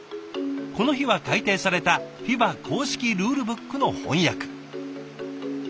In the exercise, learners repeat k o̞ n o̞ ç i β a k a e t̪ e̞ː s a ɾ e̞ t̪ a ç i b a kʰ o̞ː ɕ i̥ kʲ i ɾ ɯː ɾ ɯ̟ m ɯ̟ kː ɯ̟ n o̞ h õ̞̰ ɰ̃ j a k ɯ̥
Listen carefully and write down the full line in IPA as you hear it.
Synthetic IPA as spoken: k o̞ n o̞ ç i β a k a i t̪ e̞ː s a ɾ e̞ t̪ a ç i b a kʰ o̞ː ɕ i̥ kʲ i ɾ ɯː ɾ ɯ̟ b ɯ̟ kː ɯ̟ n o̞ h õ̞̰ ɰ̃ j a k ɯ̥